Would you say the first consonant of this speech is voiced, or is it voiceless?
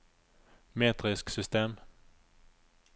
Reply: voiced